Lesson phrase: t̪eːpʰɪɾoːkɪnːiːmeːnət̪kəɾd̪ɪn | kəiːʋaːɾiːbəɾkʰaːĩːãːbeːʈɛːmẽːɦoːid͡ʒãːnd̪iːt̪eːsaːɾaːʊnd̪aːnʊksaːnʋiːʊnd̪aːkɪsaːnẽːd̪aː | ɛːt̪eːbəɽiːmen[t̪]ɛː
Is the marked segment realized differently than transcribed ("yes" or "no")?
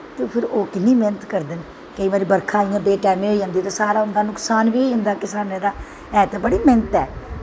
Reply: no